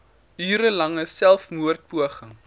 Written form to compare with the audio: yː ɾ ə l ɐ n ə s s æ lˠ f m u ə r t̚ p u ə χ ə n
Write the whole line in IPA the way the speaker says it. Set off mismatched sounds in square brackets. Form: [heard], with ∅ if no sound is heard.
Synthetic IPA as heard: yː ɾ ə l ɐ [ŋ] ə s s æ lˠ f m u ə r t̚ p u ə χ ə [ŋ]